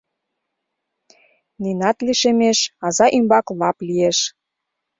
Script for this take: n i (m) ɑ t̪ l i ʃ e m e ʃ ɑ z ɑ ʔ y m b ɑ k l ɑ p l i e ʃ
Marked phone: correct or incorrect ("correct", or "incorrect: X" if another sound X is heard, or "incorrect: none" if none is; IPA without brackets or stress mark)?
incorrect: n